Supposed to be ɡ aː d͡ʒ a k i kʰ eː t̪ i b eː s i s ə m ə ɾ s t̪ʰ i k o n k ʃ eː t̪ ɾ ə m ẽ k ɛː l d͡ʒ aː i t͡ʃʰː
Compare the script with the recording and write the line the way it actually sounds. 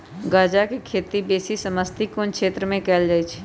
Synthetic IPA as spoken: ɡ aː d͡ʒ a k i kʰ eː t̪ i b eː s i s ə m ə s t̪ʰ i k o n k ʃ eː t̪ ɾ ə m ẽ k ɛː l d͡ʒ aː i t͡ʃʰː